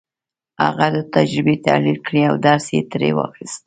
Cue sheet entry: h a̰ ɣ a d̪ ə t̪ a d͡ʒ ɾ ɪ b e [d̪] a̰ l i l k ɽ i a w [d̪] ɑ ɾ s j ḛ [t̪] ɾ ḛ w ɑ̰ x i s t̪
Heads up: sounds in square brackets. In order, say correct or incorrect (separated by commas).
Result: incorrect, correct, correct